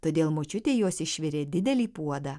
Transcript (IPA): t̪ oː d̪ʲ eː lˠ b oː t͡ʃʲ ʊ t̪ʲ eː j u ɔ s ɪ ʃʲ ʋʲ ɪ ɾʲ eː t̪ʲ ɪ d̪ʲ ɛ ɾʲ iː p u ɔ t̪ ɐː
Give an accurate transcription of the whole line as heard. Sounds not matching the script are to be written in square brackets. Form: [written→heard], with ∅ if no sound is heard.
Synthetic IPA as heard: t̪ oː d̪ʲ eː lˠ [b→m] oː t͡ʃʲ ʊ t̪ʲ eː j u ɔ s ɪ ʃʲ ʋʲ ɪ ɾʲ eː [t̪ʲ→d̪ʲ] ɪ d̪ʲ ɛ [ɾʲ→lʲ] iː p u ɔ [t̪→d̪] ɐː